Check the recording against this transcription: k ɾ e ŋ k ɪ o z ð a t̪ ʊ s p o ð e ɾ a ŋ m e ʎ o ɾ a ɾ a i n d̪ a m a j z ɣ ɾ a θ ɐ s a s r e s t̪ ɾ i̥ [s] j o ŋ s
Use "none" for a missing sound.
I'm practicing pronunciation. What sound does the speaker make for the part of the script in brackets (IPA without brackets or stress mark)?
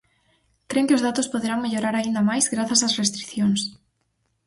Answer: θ